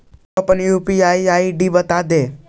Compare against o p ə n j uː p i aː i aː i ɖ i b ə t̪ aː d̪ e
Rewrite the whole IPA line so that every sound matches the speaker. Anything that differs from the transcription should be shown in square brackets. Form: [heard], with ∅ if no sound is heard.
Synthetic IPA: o p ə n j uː p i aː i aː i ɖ i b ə t̪ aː d̪ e